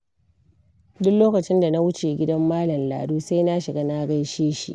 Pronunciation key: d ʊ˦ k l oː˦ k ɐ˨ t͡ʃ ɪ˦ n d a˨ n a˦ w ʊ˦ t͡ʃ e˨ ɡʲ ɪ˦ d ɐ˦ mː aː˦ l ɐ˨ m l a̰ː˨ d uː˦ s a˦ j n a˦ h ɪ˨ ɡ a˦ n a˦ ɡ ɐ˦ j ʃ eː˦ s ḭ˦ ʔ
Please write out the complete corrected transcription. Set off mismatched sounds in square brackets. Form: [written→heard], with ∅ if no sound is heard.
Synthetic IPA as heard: d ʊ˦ k l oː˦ k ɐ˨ t͡ʃ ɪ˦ n d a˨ n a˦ w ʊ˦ t͡ʃ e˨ ɡʲ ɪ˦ d ɐ˦ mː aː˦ l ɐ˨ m l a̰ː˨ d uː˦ s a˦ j n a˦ [h→ʃ] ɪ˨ ɡ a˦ n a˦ ɡ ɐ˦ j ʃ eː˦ [s→ʃ] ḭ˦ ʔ

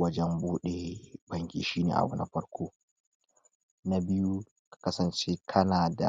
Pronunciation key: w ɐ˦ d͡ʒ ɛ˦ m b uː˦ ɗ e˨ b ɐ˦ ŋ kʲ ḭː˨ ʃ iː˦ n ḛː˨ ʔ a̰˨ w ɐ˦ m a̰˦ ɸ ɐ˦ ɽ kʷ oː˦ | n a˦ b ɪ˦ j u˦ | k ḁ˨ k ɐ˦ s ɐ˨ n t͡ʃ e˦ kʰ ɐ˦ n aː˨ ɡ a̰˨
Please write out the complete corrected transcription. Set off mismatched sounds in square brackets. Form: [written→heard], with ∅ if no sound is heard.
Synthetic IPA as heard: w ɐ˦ d͡ʒ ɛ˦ m b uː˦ ɗ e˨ b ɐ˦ ŋ kʲ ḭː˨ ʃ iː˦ n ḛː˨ ʔ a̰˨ w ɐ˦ [m→n] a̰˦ ɸ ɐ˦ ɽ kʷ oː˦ | n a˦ b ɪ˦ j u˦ | k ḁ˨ k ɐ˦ s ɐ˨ n t͡ʃ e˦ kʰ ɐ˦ n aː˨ [ɡ→d] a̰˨

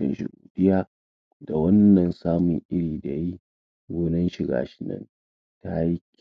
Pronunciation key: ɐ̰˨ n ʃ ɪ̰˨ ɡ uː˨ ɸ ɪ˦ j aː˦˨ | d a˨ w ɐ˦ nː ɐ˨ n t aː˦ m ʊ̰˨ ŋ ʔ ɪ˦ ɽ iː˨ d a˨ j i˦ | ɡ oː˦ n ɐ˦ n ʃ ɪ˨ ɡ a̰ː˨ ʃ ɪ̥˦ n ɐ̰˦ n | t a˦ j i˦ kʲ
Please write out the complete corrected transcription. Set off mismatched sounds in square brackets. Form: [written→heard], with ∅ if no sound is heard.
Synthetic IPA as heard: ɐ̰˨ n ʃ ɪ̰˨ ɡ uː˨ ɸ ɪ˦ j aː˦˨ | d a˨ w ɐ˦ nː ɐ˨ n [t→s] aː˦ m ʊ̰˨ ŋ ʔ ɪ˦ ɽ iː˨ d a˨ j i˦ | ɡ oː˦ n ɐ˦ n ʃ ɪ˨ ɡ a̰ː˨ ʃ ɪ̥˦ n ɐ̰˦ n | t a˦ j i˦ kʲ

